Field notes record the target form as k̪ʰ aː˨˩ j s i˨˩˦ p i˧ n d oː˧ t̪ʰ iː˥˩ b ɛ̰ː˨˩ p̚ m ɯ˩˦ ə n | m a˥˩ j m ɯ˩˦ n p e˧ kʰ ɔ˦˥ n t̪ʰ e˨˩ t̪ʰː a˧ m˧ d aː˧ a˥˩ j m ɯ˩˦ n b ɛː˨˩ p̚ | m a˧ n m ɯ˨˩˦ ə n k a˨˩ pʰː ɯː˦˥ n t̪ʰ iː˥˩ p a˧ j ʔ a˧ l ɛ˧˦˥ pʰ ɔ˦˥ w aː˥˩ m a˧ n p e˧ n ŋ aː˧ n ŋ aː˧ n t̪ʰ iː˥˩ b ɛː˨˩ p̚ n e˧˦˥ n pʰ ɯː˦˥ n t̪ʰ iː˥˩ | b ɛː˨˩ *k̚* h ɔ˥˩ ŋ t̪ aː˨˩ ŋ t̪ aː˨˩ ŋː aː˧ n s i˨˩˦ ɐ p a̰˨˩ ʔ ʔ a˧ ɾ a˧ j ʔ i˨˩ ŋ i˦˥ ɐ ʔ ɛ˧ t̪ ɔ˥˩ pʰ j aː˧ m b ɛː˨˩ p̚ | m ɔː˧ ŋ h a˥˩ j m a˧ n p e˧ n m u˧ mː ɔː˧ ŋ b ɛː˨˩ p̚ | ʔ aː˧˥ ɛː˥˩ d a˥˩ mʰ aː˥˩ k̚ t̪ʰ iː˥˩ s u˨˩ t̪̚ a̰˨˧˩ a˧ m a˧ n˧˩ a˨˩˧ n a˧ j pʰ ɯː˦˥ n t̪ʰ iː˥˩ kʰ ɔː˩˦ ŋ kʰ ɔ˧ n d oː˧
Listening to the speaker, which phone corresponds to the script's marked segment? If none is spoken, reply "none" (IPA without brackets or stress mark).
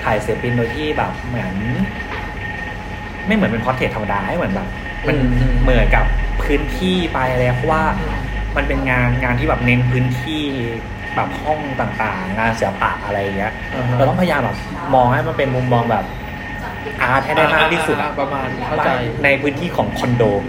p̚